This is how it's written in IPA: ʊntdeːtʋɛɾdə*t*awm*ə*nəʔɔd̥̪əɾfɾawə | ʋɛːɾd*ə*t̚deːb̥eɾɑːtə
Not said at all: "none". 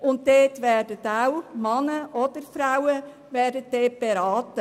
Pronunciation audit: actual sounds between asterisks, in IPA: t, ɑ, ə

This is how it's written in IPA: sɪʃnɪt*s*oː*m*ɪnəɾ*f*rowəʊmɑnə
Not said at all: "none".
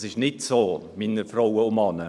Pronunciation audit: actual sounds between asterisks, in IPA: s, m, f

